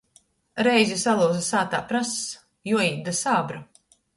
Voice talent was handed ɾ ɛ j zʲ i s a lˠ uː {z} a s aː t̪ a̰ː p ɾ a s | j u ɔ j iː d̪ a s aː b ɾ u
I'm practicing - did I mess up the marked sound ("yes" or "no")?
no